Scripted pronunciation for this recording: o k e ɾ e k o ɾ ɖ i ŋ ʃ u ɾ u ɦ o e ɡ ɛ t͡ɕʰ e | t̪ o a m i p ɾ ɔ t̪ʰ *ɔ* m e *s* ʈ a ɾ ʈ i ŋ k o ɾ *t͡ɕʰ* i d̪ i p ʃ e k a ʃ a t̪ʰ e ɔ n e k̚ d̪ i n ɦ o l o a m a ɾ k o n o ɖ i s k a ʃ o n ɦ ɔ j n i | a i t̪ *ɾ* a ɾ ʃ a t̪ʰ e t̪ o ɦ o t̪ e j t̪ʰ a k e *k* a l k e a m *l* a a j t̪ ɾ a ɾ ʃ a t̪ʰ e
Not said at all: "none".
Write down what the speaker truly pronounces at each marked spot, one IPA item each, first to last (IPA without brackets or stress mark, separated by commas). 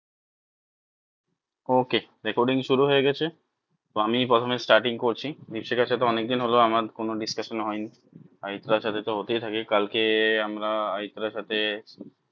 o, s, t͡ɕʰ, ɾ, k, ɾ